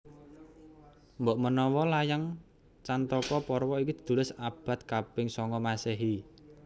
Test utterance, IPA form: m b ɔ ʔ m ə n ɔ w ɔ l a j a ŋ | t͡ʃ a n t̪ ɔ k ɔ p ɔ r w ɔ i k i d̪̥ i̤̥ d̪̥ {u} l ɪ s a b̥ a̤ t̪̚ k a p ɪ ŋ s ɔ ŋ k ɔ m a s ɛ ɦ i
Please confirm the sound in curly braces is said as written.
yes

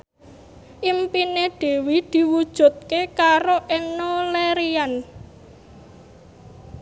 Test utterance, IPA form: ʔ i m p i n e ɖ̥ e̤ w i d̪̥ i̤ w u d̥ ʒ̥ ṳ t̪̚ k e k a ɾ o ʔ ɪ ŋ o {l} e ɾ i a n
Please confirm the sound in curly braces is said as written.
yes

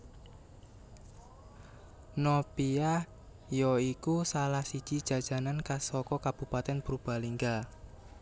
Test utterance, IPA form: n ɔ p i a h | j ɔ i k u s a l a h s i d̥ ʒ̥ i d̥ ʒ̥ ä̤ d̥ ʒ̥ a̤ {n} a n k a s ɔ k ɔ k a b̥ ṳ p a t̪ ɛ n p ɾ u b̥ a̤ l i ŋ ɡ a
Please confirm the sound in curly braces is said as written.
yes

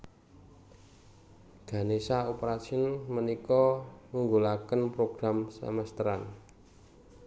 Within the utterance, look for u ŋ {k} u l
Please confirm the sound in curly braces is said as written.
no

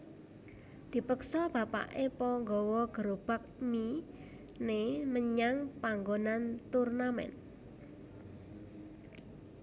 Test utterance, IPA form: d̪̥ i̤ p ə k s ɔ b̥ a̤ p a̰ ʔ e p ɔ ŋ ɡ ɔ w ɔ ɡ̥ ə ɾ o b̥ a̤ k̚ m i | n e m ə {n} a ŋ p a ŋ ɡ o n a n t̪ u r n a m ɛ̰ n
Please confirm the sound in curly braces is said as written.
no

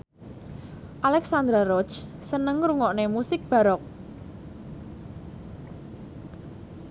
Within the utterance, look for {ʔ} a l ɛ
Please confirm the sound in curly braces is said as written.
yes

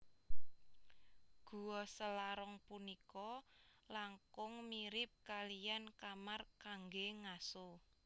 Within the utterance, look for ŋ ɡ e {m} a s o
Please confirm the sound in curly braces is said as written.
no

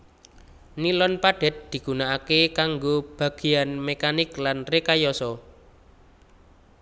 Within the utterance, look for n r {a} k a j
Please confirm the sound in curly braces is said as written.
no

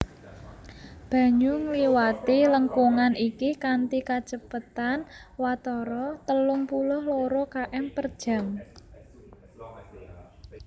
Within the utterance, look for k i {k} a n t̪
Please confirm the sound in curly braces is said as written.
yes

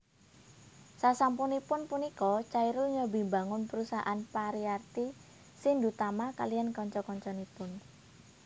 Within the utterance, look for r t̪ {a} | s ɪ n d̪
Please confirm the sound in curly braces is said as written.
no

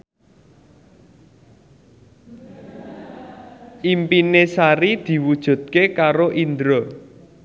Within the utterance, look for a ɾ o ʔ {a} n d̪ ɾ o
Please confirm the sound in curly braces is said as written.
no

